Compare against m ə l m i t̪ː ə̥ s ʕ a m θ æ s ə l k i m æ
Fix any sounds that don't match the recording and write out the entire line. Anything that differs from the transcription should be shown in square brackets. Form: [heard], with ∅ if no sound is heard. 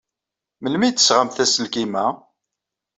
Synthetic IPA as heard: m ə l m i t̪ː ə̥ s [ʁ] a m θ æ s ə l k i m æ